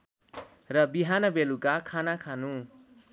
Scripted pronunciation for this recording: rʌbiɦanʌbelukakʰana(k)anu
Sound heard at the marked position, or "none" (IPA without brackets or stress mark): kʰ